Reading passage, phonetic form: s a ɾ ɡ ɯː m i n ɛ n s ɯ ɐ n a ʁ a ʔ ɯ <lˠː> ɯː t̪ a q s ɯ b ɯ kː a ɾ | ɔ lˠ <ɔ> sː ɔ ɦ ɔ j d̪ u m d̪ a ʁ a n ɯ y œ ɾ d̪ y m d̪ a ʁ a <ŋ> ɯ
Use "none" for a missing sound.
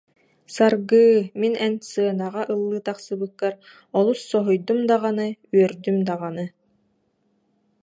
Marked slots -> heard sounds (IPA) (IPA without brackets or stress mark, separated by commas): lˠː, u, n